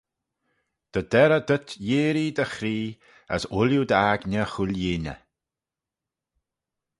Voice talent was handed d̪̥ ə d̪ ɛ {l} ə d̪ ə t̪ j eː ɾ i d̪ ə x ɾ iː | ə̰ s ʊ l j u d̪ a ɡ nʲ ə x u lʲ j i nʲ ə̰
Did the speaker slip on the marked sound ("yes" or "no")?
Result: yes